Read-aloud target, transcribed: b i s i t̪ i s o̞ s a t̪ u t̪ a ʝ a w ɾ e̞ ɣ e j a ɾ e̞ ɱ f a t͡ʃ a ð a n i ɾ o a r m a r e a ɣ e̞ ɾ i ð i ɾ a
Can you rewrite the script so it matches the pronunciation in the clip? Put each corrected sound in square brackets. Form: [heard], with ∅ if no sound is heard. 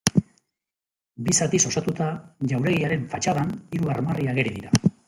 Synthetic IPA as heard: b i s [a] t̪ i s o̞ s a t̪ u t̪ a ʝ a w ɾ e̞ ɣ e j a ɾ e̞ ɱ f a t͡ʃ a ð a n i ɾ [u] a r m a r [i] a ɣ e̞ ɾ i ð i ɾ a